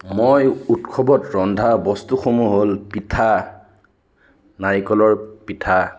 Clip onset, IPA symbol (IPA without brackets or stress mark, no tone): m